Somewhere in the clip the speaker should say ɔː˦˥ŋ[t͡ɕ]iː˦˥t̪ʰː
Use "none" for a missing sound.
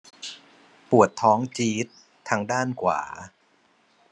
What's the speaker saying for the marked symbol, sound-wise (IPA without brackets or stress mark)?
t͡ɕ